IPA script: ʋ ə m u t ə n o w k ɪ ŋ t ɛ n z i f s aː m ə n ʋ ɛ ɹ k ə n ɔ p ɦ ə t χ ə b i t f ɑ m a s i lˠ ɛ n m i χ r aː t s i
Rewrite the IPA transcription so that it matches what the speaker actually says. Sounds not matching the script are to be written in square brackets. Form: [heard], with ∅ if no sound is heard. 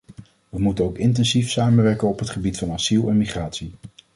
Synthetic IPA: ʋ ə m u t ə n o w k ɪ [n] t ɛ n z i f s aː m ə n ʋ ɛ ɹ k ə n ɔ p ɦ ə t χ ə b i t f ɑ [n] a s i lˠ ɛ n m i χ r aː t s i